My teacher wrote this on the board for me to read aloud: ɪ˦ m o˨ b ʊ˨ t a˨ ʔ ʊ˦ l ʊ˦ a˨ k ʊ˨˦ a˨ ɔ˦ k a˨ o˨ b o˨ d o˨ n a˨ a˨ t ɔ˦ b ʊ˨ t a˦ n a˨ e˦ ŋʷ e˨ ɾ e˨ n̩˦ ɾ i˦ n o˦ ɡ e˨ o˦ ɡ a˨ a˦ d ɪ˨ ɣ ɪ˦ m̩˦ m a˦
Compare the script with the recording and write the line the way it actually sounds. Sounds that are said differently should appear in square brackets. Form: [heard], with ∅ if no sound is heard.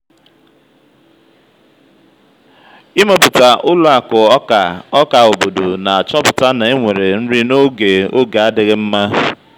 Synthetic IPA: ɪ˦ m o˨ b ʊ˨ t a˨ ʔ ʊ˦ l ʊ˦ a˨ k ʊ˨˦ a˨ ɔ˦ k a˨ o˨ b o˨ d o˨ n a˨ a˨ [t͡ʃ] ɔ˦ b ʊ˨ t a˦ n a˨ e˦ ŋʷ e˨ ɾ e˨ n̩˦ ɾ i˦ n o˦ ɡ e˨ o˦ ɡ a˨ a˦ d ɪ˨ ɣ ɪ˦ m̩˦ m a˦